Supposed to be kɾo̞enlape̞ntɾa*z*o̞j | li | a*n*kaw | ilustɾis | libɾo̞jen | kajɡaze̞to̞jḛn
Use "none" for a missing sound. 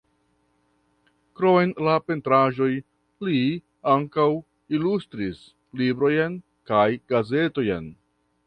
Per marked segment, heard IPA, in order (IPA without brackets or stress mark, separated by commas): ʒ, ŋ